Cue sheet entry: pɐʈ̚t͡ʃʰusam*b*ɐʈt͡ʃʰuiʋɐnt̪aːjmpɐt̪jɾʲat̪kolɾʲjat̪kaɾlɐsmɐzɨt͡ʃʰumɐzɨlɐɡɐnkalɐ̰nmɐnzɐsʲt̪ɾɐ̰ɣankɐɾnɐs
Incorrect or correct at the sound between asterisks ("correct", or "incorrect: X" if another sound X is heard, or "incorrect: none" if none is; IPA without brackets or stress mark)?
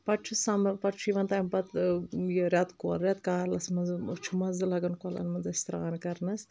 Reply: incorrect: p